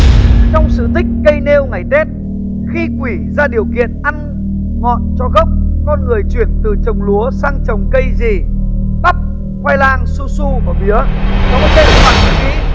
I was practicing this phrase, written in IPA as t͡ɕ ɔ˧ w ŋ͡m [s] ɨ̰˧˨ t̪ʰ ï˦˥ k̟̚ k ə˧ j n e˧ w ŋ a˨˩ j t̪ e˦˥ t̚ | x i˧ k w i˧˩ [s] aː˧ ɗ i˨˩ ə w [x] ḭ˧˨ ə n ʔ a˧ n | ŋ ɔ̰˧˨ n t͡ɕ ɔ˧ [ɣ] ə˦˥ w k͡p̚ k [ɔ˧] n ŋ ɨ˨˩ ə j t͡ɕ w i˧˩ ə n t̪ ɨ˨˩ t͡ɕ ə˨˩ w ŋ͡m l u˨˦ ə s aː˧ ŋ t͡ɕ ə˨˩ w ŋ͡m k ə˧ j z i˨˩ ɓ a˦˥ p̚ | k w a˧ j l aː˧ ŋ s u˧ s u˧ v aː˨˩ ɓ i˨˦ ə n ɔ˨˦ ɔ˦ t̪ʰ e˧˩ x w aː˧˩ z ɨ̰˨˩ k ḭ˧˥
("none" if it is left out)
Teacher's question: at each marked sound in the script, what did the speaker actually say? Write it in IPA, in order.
s, z, k, ɣ, ɔ˧

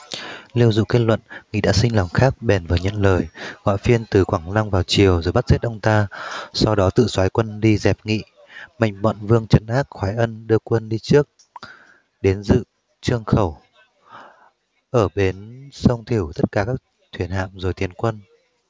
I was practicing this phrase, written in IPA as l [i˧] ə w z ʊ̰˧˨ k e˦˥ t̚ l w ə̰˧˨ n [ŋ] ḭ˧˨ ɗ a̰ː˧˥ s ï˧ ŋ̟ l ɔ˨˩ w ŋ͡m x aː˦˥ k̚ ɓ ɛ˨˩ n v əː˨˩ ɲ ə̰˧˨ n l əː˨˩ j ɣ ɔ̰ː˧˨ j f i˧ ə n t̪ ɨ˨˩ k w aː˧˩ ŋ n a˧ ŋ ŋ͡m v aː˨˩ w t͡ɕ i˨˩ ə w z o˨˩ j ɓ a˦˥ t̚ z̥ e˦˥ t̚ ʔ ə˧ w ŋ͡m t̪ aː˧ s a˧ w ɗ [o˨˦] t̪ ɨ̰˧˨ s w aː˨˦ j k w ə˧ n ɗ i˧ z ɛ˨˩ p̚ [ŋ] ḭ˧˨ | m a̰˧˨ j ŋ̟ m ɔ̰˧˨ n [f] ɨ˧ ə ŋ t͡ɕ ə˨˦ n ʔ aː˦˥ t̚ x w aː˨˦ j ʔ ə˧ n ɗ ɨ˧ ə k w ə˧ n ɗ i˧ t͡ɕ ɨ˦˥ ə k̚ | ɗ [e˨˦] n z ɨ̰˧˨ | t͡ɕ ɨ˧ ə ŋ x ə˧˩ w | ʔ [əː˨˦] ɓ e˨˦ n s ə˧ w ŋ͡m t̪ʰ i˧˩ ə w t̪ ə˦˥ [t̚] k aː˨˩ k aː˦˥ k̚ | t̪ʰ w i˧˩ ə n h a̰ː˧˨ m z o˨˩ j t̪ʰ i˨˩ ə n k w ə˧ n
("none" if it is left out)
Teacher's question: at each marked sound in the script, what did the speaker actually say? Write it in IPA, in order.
i˧, ŋ, ɔ˨˦, ŋ, v, e˨˦, əː˧˩, t̚

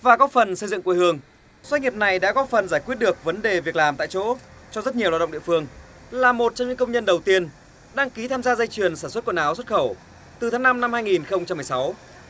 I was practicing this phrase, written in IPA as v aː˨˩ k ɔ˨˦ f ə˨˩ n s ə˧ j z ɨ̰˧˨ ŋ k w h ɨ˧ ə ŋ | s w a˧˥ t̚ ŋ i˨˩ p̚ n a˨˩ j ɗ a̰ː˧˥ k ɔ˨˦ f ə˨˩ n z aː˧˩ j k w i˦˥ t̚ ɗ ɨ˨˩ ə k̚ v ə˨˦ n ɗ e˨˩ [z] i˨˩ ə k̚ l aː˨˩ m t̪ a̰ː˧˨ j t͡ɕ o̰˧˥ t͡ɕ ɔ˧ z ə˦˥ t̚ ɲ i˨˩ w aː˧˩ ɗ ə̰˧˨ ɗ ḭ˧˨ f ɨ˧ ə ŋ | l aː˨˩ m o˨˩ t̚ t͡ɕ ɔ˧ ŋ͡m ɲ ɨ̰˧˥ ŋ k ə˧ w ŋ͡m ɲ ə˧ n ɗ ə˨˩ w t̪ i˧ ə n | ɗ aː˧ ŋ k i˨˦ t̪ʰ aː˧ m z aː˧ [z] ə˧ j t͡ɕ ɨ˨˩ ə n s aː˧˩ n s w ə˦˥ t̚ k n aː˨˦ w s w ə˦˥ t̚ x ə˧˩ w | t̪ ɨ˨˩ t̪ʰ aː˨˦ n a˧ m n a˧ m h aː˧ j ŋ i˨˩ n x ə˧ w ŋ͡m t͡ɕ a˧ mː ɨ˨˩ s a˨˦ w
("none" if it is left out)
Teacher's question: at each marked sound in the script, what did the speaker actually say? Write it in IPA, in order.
v, z

